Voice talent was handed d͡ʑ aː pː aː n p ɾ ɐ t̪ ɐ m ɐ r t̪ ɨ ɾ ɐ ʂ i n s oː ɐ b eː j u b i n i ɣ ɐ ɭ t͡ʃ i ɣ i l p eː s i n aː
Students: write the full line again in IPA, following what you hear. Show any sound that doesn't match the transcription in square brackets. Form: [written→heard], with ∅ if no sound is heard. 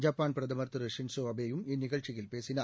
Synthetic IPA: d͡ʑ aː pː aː n p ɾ ɐ [t̪→d̪] ɐ m ɐ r t̪ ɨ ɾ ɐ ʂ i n s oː ɐ b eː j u [b→m] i n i ɣ ɐ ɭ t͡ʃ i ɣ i l p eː s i n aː